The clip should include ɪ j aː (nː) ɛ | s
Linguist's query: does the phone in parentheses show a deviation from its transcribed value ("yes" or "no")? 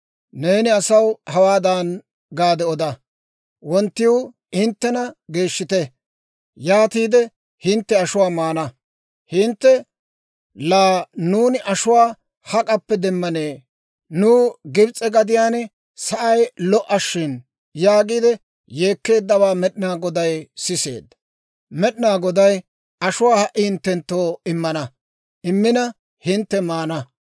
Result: yes